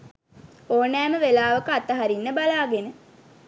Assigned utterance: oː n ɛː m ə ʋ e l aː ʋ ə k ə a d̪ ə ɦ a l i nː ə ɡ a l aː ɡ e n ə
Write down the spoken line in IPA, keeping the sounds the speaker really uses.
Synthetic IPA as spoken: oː n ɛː m ə ʋ e l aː ʋ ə k ə a t̪ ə ɦ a ɾ i nː ə b a l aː ɡ e n ə